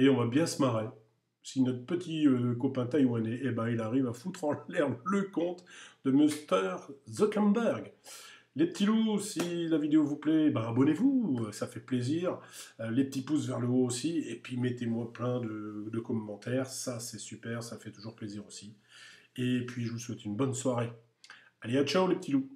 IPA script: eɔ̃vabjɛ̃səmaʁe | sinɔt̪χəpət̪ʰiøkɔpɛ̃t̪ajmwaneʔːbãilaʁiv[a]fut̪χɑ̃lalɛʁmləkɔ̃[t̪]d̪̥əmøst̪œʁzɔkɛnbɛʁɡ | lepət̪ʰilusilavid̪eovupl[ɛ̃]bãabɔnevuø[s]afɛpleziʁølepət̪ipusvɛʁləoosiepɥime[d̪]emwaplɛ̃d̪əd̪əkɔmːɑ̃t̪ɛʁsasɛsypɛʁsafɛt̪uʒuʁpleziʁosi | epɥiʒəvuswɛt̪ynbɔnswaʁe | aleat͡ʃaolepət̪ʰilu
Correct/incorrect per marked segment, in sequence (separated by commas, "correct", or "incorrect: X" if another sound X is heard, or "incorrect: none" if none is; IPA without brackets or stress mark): correct, correct, incorrect: ɛ, correct, incorrect: t̪